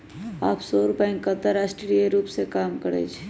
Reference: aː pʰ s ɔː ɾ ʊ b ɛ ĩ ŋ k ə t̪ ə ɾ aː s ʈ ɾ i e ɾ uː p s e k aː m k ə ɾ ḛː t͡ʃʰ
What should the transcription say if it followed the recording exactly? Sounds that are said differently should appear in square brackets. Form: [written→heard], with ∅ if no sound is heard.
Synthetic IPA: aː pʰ s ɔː ɾ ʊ [b→p] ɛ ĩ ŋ k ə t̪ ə ɾ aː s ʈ ɾ i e ɾ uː p s e k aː m k ə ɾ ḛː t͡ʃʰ

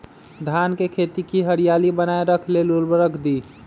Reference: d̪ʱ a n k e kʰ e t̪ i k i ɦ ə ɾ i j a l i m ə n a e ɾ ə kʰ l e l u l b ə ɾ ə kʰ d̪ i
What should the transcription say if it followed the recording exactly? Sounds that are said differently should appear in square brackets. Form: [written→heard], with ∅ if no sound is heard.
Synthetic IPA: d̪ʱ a n k e kʰ e t̪ i k i ɦ ə ɾ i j a l i [m→b] ə n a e ɾ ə kʰ l e l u l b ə ɾ ə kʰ d̪ i

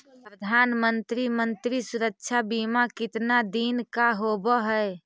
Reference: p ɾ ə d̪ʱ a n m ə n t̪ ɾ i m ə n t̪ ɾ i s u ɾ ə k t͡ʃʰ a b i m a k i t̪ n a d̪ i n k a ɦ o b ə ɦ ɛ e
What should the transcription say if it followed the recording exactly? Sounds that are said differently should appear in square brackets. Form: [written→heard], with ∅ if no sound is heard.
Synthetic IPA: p ɾ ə d̪ʱ a n m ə n t̪ ɾ i m ə n t̪ ɾ i s u ɾ ə k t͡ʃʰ a b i m a k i t̪ n a d̪ i n k a ɦ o b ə ɦ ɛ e

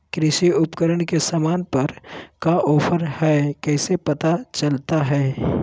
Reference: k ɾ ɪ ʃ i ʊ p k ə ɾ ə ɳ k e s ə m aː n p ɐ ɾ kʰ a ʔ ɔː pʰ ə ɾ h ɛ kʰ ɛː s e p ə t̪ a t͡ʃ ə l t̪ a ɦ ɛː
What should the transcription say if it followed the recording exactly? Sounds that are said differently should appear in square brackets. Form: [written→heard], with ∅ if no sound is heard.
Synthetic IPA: k ɾ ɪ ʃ i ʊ p k ə ɾ ə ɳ k e s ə m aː n p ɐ ɾ [kʰ→k] a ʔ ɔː pʰ ə ɾ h ɛ [kʰ→k] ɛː s e p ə t̪ a t͡ʃ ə l t̪ a ɦ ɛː

